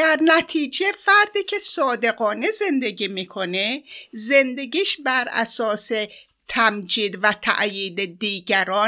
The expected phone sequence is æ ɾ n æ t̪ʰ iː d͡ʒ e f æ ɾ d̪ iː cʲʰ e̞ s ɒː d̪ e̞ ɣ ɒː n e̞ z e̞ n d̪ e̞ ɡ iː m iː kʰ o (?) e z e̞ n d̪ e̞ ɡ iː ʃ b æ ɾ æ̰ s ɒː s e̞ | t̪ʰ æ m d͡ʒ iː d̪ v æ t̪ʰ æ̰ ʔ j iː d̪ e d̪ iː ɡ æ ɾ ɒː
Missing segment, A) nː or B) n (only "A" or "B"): B